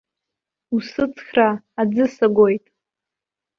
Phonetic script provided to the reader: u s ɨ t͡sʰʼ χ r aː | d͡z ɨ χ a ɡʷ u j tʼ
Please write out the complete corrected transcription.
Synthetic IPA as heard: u s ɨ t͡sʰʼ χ r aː | d͡z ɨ s a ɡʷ o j tʼ